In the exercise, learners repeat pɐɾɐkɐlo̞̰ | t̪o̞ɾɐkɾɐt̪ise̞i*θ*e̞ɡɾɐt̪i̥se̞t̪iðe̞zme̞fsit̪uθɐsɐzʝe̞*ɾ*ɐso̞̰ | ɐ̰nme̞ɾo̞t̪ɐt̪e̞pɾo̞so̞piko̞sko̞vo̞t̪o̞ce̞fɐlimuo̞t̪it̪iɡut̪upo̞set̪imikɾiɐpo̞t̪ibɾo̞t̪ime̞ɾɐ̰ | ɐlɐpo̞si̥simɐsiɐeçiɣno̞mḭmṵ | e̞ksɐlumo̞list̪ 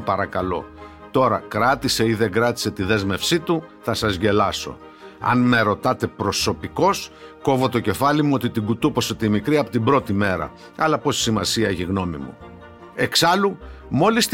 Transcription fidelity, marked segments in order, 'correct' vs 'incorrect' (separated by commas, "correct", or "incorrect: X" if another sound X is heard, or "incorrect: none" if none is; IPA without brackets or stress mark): incorrect: ð, incorrect: l